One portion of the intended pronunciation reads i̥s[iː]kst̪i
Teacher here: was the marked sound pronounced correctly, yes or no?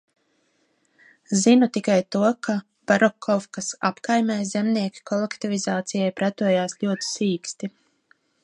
yes